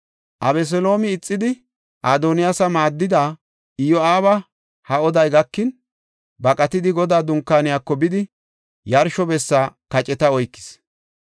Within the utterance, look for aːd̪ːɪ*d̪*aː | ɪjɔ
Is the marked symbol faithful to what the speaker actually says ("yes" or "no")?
yes